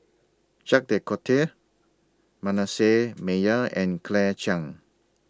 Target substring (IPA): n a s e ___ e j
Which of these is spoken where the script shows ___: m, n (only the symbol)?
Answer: m